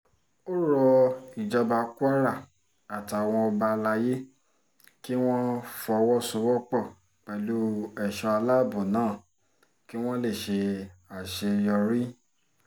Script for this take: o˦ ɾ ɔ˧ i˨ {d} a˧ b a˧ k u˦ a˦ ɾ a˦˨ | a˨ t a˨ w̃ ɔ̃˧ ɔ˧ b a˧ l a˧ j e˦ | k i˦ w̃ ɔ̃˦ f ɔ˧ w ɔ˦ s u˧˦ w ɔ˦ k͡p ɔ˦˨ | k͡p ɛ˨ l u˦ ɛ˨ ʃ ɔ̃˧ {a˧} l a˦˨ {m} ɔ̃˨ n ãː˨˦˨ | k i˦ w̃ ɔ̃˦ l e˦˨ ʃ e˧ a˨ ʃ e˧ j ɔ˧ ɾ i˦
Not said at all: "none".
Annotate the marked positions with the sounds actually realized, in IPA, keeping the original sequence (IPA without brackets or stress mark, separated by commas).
d͡ʒ, a˧, b